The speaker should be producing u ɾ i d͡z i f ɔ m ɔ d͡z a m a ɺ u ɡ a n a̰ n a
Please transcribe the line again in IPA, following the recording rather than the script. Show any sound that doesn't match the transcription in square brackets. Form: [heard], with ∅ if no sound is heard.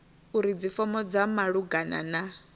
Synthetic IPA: u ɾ i d͡z i f ɔ m ɔ d͡z a m a ɺ u ɡ a n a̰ n a